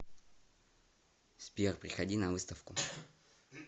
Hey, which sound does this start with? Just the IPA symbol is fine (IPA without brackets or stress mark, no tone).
s